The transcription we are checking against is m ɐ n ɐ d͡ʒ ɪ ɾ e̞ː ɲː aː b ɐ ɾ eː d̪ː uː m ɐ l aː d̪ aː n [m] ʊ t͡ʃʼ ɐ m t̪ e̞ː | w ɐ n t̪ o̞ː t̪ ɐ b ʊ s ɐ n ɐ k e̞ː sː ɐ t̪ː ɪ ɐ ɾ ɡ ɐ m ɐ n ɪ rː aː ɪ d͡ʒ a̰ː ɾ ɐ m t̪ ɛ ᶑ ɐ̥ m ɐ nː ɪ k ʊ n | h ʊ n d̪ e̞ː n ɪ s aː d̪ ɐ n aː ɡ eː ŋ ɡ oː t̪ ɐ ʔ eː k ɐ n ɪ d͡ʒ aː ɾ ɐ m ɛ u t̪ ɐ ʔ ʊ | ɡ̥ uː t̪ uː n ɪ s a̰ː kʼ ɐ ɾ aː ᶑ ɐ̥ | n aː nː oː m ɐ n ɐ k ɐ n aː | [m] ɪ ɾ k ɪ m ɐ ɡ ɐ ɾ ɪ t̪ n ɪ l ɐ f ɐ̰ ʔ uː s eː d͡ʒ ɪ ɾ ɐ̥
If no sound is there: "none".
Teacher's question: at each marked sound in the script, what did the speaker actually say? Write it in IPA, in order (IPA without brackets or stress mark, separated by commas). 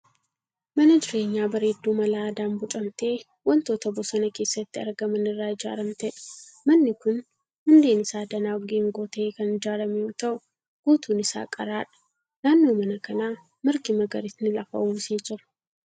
b, m